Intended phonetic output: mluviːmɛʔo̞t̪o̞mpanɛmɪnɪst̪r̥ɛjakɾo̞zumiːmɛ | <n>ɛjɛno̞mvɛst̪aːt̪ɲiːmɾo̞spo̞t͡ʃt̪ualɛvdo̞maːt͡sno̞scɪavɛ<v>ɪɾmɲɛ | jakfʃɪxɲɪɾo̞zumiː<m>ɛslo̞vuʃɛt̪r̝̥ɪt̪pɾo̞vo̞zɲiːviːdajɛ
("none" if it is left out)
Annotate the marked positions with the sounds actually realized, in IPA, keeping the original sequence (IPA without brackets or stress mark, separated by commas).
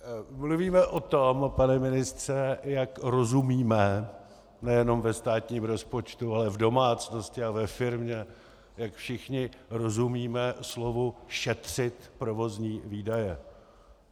n, f, m